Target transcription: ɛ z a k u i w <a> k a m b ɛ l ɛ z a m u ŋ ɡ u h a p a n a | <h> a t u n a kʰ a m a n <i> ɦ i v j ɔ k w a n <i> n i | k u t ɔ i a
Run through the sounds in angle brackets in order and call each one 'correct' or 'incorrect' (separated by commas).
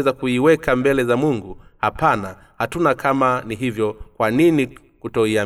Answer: incorrect, correct, correct, correct